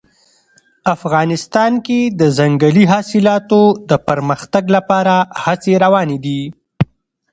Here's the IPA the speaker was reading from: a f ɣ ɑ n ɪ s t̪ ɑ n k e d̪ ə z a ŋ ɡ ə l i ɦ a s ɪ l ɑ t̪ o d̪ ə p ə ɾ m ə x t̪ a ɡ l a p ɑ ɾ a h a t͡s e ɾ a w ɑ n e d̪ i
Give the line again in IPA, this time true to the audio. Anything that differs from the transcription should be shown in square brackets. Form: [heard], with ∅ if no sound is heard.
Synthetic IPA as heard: a f ɣ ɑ n ɪ s t̪ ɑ n k e d̪ ə z a ŋ ɡ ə l i ɦ [ɑ] s ɪ l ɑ t̪ o d̪ ə p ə ɾ m ə x t̪ a ɡ l a p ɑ ɾ a h a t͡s e ɾ a w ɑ n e d̪ i

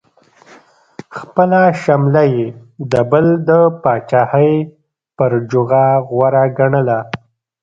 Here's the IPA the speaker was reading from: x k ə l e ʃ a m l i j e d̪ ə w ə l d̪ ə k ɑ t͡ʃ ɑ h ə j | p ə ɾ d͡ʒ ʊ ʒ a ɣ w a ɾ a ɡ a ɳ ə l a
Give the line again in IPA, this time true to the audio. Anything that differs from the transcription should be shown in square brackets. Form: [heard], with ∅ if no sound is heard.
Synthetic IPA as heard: x [p] ə l [a] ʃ a m l [a] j e d̪ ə [b] ə l d̪ ə [p] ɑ t͡ʃ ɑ h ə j | p ə ɾ d͡ʒ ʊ [ɣ] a ɣ w a ɾ a ɡ a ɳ ə l a

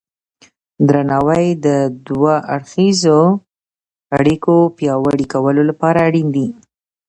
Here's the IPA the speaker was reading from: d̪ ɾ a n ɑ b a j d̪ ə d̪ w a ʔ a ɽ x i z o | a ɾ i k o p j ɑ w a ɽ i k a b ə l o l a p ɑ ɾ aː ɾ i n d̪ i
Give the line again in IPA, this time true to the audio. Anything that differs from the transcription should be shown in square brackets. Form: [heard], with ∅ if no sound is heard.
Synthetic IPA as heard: d̪ ɾ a n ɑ [w] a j d̪ ə d̪ w a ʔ a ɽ x i z o | a [ɽ] i k o p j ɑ w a ɽ i k a [w] ə l o l a p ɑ ɾ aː [ɽ] i n d̪ i

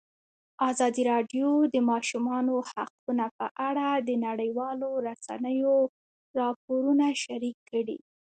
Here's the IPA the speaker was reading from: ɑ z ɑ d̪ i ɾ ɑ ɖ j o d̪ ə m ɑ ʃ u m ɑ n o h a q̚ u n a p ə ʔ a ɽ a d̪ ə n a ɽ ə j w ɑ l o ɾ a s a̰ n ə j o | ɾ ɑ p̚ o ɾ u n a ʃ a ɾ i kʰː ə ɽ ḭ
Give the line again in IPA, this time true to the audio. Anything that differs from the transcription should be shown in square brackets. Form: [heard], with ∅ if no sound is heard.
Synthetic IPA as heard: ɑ z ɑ d̪ i ɾ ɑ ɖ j o d̪ ə m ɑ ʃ u m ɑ n o h a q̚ u n a p ə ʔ a ɽ a d̪ ə n a ɽ ə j w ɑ l o ɾ a s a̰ n ə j o | ɾ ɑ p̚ o ɾ u n a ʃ a ɾ i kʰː ə ɽ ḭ

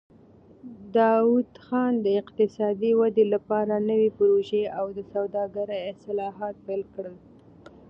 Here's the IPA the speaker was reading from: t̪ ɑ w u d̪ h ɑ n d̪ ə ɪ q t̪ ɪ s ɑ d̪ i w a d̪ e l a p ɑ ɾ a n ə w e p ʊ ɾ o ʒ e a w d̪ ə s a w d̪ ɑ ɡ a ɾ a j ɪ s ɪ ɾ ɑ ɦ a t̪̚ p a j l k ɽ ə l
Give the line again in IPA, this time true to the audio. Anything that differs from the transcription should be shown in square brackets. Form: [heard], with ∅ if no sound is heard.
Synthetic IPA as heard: [d̪] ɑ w u d̪ [x] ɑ n d̪ ə ɪ q t̪ ɪ s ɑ d̪ i w a d̪ e l a p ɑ ɾ a n ə w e p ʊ ɾ o ʒ e a w d̪ ə s a w d̪ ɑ ɡ a ɾ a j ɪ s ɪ [l] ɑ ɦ [ɑ] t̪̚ p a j l k ɽ ə l

